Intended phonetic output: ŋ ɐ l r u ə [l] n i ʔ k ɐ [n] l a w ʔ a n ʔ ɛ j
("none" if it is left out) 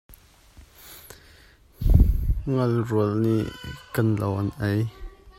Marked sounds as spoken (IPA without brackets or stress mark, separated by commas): l, n